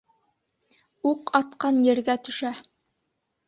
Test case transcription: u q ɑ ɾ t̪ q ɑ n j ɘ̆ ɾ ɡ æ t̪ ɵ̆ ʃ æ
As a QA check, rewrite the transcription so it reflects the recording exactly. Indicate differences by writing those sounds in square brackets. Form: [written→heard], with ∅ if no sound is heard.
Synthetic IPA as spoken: u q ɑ [ɾ→∅] t̪ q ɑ n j ɘ̆ ɾ ɡ æ t̪ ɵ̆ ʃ æ